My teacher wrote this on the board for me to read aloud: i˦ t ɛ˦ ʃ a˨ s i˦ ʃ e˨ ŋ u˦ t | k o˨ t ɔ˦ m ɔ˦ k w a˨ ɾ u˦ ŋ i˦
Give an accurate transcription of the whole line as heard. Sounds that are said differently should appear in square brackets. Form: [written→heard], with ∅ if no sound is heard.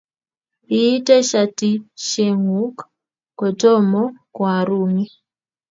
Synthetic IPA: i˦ t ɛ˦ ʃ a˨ [s→t] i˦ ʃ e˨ ŋ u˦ [t→k] | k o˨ t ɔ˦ m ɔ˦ k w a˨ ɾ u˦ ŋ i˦